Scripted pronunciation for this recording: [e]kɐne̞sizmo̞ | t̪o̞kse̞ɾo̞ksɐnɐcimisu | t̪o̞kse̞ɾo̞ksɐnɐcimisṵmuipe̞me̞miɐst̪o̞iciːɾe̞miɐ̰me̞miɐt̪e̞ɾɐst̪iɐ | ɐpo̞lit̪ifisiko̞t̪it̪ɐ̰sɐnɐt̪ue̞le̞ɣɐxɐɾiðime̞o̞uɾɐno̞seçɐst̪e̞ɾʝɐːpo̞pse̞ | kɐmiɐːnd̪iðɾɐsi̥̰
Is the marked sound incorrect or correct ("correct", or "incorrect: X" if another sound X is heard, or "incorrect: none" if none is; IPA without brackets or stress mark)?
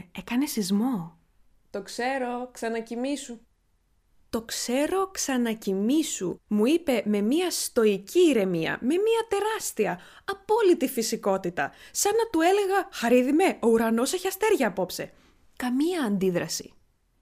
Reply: correct